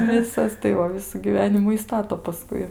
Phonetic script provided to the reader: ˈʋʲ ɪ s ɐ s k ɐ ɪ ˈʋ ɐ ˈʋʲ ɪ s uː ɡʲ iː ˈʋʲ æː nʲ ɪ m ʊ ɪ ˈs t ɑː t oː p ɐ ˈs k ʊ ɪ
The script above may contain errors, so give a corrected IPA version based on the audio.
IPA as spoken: ˈʋʲ ɪ s ɐ s t ɐ ɪ ˈʋ ɐ ˈʋʲ ɪ s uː ɡʲ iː ˈʋʲ æː nʲ ɪ m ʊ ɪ ˈs t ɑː t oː p ɐ ˈs k ʊ ɪ